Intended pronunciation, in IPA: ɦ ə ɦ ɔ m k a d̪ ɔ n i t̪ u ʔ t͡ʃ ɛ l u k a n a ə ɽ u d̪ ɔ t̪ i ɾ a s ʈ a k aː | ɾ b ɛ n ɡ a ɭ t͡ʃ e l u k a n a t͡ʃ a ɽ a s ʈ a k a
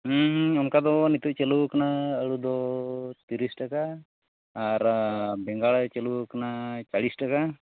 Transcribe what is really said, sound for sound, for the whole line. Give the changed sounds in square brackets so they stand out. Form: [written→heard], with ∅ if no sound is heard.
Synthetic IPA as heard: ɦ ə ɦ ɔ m k a d̪ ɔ n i t̪ u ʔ t͡ʃ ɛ l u k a n a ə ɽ u d̪ ɔ t̪ i ɾ [a→i] s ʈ a k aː | ɾ b ɛ [n→ŋ] ɡ a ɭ t͡ʃ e l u k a n a t͡ʃ a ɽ [a→i] s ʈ a k a